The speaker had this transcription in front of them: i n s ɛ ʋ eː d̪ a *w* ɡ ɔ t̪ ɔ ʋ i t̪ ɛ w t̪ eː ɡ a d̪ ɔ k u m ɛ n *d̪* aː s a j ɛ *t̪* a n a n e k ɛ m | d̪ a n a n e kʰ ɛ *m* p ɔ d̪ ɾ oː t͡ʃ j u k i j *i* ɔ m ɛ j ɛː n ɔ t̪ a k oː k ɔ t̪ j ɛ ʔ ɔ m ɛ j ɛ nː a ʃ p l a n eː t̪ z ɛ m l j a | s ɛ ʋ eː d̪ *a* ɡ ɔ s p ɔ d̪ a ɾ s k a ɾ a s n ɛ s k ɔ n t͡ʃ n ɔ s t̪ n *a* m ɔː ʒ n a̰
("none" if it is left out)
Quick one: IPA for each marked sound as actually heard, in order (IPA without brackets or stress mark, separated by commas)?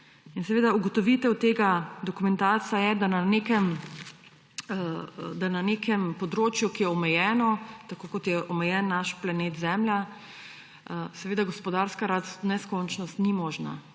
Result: u, t̪, d̪, m, ɛ, a, i